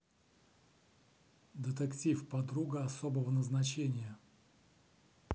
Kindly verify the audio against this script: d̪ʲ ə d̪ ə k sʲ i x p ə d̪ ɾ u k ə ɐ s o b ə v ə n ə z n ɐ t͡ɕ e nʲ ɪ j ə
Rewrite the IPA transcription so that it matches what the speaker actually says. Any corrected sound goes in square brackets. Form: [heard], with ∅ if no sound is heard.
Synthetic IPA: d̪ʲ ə [t̪] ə k [tʲ] i [f] p [ɐ] d̪ ɾ u [ɡ] ə ɐ s o b ə v ə n ə z n ɐ t͡ɕ e nʲ ɪ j ə